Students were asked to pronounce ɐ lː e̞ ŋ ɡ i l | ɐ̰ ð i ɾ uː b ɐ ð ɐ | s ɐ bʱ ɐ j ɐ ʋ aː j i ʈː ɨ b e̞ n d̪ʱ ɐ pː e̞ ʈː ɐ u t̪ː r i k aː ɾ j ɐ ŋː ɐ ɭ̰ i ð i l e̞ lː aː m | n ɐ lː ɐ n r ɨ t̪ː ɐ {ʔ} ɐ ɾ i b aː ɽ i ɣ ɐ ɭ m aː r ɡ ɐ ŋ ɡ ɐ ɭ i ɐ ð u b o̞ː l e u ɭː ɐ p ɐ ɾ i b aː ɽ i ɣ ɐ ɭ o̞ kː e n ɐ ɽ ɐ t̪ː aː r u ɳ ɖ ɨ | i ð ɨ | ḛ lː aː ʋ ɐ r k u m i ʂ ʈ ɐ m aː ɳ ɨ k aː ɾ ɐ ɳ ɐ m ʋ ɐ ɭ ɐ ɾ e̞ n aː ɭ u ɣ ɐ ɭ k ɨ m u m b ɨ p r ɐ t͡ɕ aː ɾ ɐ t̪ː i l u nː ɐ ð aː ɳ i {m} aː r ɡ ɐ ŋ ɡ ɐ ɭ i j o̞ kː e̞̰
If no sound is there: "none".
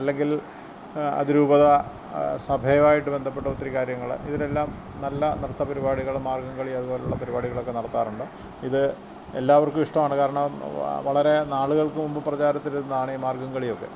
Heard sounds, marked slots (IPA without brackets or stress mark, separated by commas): p, m